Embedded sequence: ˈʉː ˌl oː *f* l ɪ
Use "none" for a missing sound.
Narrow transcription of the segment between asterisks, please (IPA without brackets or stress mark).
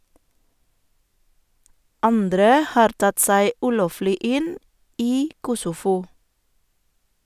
f